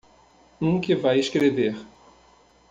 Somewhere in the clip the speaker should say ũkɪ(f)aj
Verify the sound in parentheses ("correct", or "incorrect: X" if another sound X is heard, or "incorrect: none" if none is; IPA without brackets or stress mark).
incorrect: v